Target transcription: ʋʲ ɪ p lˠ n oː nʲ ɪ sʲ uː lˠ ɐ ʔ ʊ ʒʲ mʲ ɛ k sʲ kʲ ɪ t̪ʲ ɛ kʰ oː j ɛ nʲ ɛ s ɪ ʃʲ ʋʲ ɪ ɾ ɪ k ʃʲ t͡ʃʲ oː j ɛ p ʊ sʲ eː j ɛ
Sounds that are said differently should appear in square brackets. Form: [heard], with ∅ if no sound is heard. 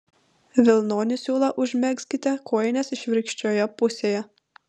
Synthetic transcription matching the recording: ʋʲ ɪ [∅] lˠ n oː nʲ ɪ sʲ uː lˠ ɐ ʔ ʊ ʒʲ mʲ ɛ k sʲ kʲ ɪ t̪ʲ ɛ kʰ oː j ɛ nʲ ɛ s ɪ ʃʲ ʋʲ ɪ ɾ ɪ k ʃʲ t͡ʃʲ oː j ɛ p ʊ sʲ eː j ɛ